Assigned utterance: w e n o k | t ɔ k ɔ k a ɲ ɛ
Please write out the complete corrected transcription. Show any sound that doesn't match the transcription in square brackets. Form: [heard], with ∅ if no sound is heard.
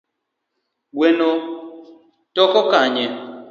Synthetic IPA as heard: w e n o [∅] | t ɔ k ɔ k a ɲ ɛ